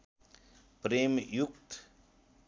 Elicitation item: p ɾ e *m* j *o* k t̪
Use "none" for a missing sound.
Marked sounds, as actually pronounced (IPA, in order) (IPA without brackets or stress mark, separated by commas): m, u